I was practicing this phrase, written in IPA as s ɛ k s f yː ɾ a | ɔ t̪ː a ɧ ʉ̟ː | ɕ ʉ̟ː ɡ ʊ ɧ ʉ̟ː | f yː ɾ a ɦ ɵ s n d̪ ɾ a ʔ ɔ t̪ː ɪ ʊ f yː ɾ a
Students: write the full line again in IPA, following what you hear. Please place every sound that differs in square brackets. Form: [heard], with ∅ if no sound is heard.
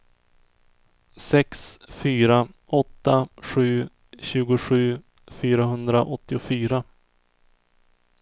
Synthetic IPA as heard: s ɛ k s f yː ɾ a | ɔ t̪ː a ɧ ʉ̟ː | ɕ ʉ̟ː ɡ ʊ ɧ ʉ̟ː | f yː ɾ a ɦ ɵ [∅] n d̪ ɾ a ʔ ɔ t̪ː ɪ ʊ f yː ɾ a